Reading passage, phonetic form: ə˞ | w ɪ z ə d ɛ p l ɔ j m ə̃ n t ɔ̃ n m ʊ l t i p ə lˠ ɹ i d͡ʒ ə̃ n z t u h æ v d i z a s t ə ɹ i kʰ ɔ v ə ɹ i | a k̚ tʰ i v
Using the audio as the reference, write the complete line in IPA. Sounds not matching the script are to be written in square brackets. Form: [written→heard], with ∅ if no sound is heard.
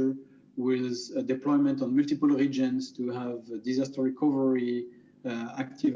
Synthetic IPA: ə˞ | w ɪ z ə d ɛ p l ɔ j m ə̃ n t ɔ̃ n m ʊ l t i p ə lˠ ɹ i d͡ʒ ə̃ n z t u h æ v d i z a s t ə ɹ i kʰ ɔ v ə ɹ i | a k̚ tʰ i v